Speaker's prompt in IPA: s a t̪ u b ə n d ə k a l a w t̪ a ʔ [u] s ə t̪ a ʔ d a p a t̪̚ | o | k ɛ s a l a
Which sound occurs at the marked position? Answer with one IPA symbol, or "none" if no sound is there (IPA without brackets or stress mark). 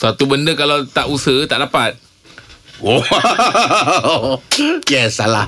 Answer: u